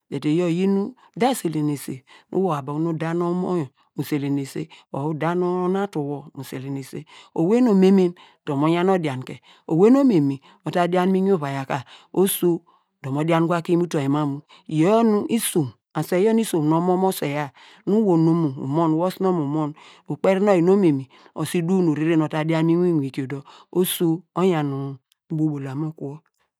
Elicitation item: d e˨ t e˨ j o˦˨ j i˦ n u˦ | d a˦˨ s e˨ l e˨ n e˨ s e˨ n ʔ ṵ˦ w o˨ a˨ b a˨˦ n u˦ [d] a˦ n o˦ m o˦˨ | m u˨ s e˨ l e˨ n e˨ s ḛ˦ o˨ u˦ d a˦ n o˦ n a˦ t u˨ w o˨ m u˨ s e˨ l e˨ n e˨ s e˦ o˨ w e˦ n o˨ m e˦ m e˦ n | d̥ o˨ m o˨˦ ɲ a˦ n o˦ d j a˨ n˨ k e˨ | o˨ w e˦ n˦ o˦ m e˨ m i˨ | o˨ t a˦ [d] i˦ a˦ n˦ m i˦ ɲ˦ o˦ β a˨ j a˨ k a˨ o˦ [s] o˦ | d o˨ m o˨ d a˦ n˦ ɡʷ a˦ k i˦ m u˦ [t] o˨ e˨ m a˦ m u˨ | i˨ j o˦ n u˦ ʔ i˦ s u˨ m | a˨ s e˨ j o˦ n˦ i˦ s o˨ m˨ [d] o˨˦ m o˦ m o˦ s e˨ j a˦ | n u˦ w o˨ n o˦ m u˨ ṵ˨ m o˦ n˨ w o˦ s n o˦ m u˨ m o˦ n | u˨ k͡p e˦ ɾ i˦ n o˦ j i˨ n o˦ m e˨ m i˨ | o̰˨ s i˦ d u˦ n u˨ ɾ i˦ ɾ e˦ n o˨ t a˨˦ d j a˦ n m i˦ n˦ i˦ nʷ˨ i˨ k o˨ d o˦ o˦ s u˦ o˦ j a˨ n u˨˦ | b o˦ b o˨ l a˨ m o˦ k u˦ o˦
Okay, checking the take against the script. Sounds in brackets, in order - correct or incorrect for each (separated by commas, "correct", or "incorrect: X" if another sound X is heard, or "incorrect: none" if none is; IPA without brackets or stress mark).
correct, correct, correct, correct, incorrect: n